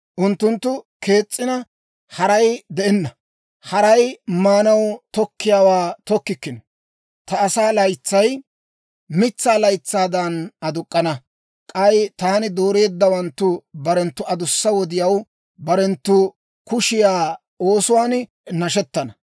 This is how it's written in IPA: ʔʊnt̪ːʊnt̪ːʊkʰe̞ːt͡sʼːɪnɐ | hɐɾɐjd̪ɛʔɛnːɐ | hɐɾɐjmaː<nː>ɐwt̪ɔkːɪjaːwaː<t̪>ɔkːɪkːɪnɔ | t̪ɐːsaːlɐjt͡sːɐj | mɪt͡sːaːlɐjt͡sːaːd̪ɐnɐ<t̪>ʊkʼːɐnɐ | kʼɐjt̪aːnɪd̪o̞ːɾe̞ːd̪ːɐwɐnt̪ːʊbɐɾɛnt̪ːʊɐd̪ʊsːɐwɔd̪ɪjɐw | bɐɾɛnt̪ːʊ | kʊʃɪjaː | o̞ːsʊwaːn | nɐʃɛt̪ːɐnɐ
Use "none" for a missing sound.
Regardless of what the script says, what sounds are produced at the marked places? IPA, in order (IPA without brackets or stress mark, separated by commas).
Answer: n, t̪, d̪